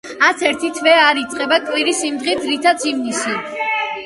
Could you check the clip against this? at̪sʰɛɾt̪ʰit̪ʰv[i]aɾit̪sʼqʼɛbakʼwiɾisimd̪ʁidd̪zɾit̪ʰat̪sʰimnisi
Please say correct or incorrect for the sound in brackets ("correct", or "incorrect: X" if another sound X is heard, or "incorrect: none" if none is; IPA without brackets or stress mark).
incorrect: ɛ